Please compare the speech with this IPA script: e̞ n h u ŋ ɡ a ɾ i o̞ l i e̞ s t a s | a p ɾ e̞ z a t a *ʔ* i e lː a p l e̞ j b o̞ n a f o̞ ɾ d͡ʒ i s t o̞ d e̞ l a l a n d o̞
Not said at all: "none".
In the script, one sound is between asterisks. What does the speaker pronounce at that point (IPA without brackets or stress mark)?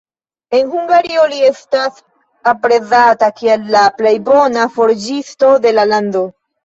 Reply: k